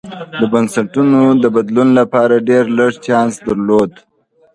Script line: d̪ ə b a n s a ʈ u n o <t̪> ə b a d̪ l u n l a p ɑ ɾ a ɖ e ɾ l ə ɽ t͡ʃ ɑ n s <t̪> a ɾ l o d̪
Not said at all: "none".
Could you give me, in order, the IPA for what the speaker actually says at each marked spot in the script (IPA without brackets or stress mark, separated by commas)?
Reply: d̪, d̪